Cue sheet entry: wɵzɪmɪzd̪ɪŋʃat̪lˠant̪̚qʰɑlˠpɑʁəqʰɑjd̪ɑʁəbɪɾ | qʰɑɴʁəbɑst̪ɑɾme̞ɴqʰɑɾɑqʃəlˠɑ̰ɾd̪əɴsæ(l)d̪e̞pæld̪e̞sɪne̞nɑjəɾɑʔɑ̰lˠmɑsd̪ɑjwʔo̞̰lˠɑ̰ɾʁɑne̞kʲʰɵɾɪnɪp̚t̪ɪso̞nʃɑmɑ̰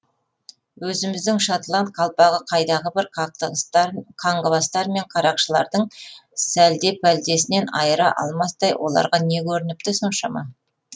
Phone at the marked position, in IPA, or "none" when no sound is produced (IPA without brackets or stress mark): l